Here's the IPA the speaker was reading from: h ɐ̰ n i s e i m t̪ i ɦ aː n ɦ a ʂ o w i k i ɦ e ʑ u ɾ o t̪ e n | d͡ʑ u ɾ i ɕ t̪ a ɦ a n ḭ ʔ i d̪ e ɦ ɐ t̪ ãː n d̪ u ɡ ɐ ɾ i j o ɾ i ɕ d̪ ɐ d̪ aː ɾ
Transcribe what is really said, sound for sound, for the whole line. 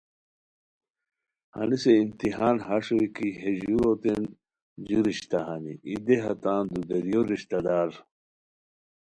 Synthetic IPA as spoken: h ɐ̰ n i s e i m t̪ i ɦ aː n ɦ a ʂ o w i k i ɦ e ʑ u ɾ o t̪ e n | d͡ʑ u ɾ i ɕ t̪ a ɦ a n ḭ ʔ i d̪ e ɦ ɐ t̪ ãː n d̪ u ɡ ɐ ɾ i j o ɾ i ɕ t̪ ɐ d̪ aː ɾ